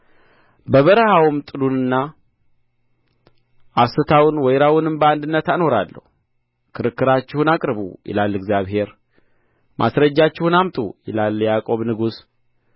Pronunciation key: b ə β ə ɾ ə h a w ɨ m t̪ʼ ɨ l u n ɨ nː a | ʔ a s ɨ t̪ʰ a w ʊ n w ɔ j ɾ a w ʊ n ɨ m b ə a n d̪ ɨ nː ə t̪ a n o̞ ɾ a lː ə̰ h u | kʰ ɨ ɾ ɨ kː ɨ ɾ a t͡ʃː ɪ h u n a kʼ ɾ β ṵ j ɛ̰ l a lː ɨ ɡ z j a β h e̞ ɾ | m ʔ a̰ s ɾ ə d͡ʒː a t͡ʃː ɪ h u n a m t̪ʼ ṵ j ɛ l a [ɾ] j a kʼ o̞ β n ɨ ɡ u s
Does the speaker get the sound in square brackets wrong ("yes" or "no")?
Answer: yes